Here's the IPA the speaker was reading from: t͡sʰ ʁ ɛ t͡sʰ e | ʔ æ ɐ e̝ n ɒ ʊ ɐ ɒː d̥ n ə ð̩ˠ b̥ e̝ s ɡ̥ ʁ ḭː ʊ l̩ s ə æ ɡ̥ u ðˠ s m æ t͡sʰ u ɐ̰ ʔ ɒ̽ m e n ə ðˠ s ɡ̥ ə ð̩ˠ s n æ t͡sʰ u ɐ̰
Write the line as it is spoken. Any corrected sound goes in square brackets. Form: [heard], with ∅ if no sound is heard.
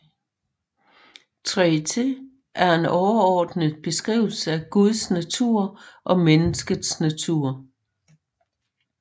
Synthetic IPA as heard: t͡sʰ ʁ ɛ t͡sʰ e | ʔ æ ɐ e̝ n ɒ ʊ ɐ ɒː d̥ n ə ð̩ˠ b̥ e̝ s ɡ̥ ʁ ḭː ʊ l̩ s ə æ ɡ̥ u ðˠ s [n] æ t͡sʰ u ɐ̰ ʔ ɒ̽ m e n ə [∅] s ɡ̥ ə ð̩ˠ s n æ t͡sʰ u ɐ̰